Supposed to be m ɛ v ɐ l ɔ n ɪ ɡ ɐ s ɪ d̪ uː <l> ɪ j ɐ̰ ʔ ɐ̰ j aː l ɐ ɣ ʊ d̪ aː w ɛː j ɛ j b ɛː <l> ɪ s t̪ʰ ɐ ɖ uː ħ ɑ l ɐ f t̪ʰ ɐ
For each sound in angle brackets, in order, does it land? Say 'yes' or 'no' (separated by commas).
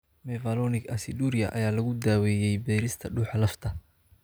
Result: no, no